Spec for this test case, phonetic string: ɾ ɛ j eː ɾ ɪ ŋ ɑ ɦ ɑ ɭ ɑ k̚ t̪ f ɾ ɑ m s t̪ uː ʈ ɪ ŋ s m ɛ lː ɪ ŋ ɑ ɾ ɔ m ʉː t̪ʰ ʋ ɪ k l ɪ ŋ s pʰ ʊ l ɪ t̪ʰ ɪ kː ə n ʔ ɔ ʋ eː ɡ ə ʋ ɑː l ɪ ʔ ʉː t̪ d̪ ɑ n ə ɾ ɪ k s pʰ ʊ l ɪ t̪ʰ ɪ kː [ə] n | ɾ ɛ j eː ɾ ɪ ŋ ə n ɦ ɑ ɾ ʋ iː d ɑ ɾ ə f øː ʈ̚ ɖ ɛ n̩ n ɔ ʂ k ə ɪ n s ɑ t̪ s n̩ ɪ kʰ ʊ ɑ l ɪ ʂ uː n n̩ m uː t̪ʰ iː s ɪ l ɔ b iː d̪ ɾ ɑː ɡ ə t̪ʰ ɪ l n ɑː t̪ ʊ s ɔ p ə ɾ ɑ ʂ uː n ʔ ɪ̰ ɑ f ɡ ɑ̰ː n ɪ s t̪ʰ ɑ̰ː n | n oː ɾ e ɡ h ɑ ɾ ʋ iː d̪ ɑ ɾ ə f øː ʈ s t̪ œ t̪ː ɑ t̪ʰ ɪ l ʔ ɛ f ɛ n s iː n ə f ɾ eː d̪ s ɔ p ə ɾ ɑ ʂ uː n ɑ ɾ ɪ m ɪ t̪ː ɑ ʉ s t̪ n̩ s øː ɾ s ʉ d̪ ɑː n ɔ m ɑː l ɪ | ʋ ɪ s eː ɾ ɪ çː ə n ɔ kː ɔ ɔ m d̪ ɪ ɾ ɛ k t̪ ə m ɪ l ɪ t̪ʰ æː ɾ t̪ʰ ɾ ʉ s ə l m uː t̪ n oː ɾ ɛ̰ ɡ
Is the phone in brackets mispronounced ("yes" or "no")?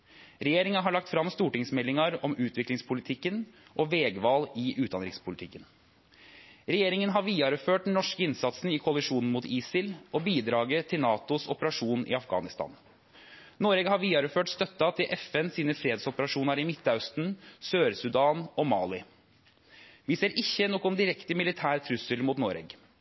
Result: no